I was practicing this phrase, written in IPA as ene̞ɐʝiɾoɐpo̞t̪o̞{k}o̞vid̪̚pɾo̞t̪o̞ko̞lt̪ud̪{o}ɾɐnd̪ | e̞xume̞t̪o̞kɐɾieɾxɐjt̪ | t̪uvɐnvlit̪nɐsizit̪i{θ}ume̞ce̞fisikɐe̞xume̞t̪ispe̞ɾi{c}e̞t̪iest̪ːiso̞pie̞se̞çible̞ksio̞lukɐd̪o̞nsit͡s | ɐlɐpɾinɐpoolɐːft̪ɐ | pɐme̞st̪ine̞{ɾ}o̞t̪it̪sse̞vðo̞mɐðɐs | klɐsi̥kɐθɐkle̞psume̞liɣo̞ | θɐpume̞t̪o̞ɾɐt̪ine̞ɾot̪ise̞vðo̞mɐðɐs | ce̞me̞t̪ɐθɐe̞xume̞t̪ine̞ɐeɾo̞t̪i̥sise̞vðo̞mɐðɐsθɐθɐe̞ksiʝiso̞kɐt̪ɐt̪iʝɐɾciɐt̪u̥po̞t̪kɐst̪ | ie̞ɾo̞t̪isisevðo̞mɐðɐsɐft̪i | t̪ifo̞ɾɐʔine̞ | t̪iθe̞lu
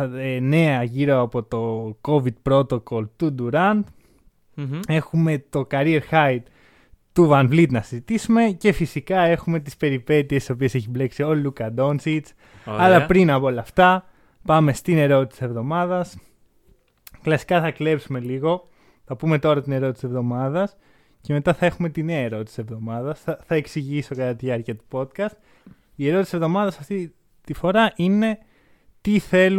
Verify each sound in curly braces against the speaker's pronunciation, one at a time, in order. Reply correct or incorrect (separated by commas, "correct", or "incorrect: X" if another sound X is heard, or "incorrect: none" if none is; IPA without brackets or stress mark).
correct, incorrect: u, incorrect: s, incorrect: p, correct